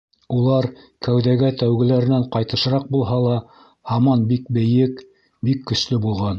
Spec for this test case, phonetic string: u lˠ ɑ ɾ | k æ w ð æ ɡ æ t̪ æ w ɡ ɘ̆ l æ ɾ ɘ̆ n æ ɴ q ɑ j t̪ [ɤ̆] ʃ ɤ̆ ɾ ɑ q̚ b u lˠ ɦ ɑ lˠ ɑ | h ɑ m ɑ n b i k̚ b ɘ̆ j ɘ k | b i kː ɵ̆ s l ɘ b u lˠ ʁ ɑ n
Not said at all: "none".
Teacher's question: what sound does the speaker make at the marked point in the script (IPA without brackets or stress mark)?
ɤ̆